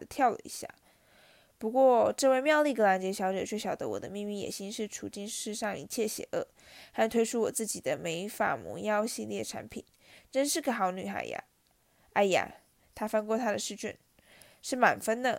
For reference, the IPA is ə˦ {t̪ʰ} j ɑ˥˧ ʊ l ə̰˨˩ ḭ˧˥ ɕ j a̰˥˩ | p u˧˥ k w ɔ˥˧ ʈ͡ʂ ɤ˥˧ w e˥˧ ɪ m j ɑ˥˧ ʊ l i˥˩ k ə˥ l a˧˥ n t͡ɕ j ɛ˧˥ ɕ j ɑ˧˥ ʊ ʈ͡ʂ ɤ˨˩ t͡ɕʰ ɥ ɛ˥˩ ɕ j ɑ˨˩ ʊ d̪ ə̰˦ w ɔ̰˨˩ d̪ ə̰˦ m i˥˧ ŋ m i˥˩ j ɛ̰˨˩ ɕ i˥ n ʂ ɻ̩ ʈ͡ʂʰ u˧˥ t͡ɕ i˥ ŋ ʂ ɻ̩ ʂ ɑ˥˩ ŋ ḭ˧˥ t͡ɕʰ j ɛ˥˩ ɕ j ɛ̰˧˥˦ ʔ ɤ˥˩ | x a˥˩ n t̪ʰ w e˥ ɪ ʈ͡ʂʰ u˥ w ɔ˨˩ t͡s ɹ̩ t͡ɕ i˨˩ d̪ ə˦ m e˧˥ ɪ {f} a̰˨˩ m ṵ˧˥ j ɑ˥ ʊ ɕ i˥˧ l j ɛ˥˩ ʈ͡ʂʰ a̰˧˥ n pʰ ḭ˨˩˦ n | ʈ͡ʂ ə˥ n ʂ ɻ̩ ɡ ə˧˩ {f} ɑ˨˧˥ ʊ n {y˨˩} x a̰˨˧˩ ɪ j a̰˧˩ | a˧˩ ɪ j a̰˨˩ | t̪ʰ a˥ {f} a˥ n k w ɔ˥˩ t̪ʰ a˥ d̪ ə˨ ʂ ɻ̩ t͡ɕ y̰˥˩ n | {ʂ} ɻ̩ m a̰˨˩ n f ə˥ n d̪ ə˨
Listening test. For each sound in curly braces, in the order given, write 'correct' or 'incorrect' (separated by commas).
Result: correct, correct, incorrect, correct, correct, correct